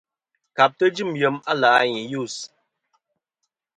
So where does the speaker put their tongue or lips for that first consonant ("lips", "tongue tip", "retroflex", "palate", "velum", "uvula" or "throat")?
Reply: velum